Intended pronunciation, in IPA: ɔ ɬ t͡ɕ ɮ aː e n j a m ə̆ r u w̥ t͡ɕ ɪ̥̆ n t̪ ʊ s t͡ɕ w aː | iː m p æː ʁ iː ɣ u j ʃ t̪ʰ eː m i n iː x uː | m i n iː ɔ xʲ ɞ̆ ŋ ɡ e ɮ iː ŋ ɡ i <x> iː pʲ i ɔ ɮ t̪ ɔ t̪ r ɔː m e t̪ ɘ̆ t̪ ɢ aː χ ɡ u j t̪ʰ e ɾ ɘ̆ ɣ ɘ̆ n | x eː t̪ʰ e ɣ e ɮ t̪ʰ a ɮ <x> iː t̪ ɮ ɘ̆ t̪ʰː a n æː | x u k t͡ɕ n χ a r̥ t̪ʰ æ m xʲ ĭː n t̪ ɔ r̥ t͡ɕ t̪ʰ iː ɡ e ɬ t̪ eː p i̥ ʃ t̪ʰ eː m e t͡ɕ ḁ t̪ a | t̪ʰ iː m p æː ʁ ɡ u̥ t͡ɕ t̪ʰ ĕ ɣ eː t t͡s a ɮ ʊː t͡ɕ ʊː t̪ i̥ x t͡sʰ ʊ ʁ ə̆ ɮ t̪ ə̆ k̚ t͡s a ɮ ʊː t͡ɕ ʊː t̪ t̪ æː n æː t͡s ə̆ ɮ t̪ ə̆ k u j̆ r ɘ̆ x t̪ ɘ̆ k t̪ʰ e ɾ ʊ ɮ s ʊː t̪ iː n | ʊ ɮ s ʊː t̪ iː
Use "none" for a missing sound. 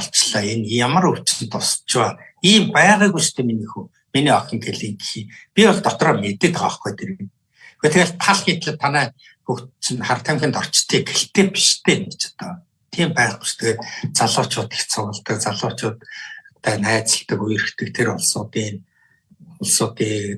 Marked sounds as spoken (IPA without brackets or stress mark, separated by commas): x, x